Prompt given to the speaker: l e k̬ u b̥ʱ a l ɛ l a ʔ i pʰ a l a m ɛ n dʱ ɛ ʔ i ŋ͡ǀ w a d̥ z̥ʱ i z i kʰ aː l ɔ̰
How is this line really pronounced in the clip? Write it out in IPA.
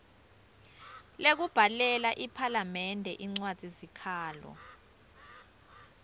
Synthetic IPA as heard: l e k̬ u b̥ʱ a l ɛ l a ʔ i pʰ a l a m ɛ n dʱ ɛ ʔ i ŋ͡ǀ w a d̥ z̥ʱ i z i kʰ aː l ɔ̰